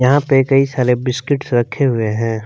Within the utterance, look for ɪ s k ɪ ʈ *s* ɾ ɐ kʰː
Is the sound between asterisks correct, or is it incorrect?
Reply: correct